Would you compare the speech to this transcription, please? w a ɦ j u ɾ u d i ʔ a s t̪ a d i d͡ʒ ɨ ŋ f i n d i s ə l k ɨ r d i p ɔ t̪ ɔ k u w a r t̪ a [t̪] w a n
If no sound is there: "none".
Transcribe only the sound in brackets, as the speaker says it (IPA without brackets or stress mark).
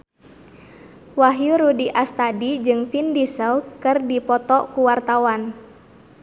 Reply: none